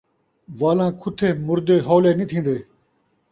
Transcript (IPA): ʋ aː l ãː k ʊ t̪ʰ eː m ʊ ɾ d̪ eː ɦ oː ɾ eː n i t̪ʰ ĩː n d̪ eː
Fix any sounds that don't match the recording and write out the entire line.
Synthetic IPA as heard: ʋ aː l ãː kʰ ʊ t̪ʰ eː m ʊ ɾ d̪ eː ɦ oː l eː n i t̪ʰ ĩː n d̪ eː